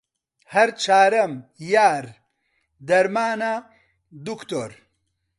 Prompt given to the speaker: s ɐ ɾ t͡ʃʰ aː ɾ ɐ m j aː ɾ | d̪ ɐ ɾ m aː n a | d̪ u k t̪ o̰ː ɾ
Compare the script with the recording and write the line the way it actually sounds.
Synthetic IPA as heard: h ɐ ɾ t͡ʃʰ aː ɾ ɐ m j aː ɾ | d̪ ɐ ɾ m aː n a | d̪ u k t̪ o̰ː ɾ